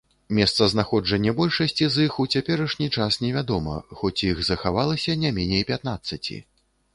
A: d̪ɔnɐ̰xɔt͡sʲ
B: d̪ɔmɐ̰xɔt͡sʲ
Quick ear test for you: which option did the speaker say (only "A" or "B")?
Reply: B